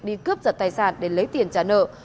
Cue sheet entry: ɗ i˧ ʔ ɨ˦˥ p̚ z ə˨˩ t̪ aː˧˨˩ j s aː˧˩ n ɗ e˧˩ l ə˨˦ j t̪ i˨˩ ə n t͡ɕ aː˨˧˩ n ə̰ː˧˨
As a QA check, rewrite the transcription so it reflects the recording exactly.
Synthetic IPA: ɗ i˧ k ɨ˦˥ p̚ z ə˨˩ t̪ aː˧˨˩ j s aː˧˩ n ɗ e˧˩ l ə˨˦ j t̪ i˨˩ ə n t͡ɕ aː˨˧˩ n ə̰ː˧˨